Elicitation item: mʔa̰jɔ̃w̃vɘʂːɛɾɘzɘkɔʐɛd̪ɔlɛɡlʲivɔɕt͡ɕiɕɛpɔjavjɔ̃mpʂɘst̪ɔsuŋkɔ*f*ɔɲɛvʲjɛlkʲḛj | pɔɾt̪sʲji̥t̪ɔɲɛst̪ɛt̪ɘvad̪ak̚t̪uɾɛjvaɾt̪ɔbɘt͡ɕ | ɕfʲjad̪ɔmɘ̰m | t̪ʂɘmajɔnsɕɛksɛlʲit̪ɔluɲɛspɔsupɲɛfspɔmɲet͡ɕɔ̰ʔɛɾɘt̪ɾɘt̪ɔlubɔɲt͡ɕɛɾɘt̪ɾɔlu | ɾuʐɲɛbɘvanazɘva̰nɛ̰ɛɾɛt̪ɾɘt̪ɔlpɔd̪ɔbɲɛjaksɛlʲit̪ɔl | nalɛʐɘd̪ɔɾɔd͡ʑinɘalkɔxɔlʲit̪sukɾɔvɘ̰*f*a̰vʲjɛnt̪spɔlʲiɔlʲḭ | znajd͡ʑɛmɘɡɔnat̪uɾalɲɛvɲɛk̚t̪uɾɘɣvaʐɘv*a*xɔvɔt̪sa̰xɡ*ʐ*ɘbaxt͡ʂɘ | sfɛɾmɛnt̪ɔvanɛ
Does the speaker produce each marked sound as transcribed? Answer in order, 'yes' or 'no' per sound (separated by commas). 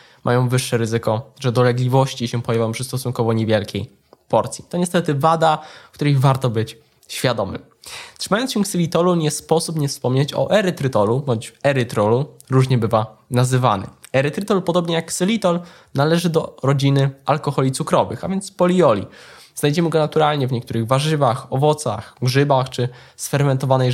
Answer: no, no, yes, yes